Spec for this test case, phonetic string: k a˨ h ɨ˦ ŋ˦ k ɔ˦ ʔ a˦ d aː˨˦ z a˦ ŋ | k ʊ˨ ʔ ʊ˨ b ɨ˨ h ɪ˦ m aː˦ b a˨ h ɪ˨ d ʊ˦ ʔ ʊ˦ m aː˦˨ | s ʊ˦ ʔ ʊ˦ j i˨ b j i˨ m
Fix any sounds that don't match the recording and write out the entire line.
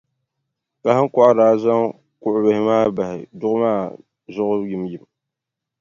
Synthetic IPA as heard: k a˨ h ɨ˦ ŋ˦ k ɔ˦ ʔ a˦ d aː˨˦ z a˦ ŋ | k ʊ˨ ʔ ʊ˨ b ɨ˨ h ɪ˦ m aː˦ b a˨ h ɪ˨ d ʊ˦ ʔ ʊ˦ m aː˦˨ | z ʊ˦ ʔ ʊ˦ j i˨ m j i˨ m